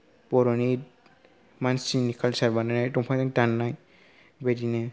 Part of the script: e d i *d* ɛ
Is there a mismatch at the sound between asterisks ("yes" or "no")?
yes